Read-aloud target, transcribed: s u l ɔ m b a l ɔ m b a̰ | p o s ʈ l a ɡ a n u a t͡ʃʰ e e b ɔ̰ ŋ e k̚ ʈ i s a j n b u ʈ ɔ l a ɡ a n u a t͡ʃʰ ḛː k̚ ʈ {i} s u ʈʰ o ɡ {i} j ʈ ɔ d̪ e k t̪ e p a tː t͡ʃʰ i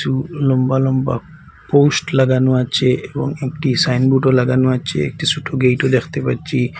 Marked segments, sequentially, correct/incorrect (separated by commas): correct, incorrect